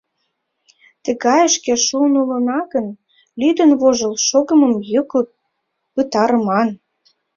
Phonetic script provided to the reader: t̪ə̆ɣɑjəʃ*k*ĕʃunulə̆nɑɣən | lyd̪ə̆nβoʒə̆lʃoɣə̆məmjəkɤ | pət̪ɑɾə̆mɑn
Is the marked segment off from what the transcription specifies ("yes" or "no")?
no